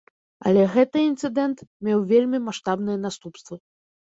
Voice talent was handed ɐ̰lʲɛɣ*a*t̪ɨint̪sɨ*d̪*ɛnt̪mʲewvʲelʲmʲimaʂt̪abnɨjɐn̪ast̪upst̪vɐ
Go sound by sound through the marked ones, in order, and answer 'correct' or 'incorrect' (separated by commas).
incorrect, correct